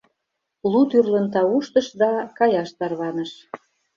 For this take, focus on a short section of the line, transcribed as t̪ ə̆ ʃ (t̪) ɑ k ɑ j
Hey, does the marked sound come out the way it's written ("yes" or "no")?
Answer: no